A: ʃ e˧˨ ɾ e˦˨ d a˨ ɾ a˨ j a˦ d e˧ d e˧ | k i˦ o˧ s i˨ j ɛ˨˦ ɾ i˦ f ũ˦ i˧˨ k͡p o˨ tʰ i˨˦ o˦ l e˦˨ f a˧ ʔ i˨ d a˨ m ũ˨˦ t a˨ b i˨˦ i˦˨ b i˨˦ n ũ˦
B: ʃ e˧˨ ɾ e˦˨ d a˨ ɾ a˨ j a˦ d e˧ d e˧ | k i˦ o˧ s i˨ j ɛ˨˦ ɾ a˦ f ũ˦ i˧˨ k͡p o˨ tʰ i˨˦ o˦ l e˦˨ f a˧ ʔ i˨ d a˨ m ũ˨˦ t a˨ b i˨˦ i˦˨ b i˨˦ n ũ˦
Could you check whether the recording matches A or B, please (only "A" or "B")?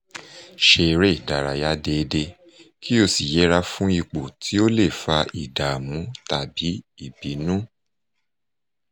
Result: B